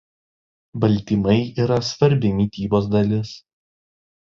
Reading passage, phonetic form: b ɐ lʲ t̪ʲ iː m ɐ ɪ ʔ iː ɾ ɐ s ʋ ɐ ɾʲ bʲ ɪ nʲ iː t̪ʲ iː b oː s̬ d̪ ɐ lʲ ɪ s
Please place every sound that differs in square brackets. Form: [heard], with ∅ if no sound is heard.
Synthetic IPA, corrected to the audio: b ɐ lʲ t̪ʲ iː m ɐ ɪ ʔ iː ɾ ɐ s ʋ ɐ ɾʲ bʲ ɪ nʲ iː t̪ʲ iː b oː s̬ d̪ ɐ lʲ ɪ s